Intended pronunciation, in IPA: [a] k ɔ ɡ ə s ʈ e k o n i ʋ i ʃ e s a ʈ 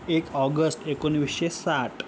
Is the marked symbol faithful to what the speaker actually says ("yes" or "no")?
no